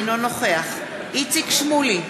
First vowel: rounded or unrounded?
rounded